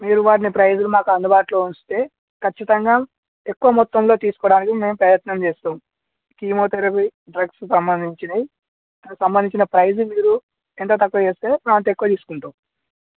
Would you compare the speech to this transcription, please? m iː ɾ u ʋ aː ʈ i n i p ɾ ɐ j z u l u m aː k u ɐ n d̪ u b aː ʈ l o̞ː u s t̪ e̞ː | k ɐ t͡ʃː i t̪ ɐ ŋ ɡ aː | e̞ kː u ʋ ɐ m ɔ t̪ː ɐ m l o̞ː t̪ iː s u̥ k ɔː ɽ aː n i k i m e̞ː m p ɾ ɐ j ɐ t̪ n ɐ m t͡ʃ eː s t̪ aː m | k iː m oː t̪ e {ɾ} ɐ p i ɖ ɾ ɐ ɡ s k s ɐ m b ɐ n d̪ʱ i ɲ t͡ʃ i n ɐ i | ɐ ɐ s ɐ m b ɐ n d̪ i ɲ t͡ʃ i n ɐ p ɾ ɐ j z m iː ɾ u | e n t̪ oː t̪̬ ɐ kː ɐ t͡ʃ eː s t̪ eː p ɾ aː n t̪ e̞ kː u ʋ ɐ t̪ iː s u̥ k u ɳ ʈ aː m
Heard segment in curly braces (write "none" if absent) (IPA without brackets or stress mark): ɾ